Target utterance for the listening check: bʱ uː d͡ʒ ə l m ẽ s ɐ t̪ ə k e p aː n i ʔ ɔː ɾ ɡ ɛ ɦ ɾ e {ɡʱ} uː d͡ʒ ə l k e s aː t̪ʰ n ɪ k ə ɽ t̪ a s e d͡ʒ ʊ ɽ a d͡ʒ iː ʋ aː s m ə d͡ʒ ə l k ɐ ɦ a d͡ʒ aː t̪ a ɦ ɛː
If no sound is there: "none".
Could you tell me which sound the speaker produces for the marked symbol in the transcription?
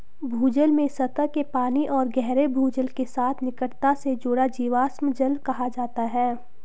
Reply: bʱ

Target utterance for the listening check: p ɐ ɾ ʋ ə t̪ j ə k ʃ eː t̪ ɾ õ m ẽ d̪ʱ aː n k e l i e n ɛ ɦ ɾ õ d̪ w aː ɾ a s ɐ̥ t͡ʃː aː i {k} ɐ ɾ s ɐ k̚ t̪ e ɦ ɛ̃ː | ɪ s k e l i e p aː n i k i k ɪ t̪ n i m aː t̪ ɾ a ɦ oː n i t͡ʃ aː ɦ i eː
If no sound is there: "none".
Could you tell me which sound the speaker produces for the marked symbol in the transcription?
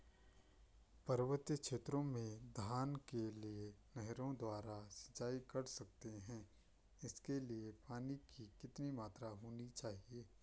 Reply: k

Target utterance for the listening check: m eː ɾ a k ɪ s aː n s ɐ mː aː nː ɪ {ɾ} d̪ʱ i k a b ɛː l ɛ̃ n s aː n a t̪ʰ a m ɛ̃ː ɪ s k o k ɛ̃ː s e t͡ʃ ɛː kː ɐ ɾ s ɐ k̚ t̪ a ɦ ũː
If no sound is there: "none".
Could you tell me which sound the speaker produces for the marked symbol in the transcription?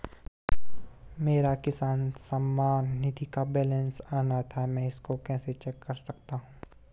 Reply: none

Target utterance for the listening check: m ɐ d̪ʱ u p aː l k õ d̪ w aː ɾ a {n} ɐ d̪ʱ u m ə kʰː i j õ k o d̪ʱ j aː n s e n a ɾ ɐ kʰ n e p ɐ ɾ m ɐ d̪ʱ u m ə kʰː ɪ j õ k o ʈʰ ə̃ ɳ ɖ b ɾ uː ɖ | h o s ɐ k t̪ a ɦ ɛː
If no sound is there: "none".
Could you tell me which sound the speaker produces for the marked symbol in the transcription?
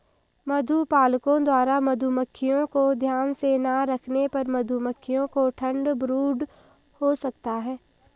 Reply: m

